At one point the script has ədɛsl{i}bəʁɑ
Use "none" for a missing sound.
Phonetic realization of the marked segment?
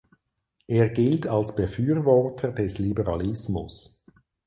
i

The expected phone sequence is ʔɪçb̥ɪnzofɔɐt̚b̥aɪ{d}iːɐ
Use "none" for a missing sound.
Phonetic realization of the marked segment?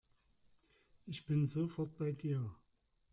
d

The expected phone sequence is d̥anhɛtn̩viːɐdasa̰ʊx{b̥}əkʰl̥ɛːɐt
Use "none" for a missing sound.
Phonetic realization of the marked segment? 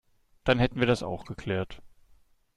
ɡ̥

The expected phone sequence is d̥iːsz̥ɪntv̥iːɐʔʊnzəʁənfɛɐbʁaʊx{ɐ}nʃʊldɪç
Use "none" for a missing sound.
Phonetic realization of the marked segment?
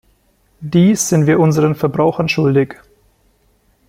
ɐ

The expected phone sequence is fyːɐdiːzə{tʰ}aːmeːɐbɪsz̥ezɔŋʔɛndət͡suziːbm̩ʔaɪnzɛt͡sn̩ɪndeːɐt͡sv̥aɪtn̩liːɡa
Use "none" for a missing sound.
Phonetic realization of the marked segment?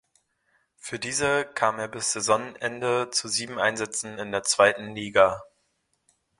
kʰ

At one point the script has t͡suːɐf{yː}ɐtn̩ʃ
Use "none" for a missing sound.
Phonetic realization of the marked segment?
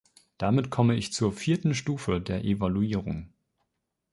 iː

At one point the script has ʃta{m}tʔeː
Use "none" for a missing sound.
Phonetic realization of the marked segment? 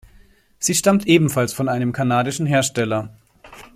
m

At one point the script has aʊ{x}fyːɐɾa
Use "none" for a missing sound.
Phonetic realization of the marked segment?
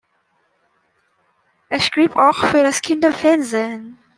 x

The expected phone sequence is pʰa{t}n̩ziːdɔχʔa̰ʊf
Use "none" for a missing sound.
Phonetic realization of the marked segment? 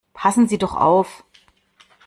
s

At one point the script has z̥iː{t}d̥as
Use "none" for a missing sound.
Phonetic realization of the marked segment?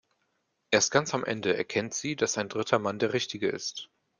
none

